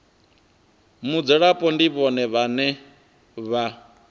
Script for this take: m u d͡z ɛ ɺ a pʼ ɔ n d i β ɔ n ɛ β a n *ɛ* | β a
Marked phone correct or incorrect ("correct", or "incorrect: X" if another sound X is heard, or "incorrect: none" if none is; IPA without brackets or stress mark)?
correct